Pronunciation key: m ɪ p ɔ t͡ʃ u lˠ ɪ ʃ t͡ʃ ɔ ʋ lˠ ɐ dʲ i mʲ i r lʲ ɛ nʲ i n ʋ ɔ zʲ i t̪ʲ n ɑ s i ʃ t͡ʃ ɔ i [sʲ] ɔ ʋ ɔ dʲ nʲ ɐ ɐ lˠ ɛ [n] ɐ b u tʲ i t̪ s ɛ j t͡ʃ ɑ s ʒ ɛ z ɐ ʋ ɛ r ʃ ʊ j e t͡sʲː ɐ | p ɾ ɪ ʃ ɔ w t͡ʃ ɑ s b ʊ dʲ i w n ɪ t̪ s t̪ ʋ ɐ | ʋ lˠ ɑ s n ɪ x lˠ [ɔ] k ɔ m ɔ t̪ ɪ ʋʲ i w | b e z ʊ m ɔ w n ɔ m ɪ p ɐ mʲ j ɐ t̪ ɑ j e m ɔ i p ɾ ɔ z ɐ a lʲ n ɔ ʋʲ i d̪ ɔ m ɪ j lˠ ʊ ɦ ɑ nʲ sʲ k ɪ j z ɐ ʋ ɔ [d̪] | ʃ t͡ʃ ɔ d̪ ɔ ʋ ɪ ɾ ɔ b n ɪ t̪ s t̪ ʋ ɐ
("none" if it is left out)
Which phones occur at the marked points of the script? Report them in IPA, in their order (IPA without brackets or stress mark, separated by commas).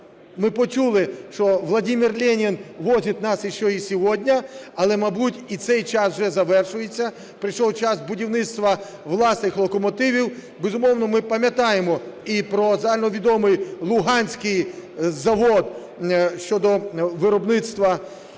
sʲ, m, ɔ, d̪